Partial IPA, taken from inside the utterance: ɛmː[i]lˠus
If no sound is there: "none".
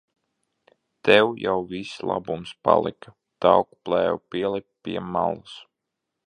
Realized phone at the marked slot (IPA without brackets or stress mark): a